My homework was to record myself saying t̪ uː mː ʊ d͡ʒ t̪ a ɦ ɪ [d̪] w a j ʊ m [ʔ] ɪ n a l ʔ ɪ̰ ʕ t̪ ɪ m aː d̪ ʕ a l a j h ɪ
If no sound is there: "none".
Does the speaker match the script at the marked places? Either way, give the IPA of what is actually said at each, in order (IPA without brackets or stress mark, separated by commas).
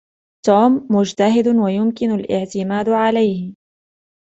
d̪, k